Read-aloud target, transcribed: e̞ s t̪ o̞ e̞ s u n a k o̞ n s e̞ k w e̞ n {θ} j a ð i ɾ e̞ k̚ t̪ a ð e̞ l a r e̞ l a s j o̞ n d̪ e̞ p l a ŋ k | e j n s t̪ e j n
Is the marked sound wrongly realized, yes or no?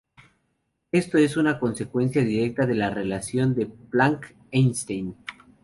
yes